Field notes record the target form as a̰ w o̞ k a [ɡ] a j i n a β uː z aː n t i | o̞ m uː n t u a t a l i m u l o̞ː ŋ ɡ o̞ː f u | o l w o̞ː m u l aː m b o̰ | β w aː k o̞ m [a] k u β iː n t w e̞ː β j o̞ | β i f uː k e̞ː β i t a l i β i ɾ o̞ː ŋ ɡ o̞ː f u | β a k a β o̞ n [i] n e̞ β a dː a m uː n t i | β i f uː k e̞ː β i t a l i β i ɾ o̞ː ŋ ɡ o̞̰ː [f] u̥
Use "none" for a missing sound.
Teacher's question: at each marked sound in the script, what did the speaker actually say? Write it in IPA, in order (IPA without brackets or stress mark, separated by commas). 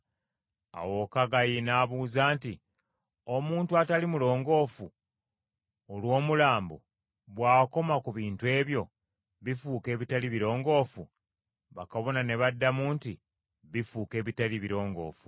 ɡ, a, a, f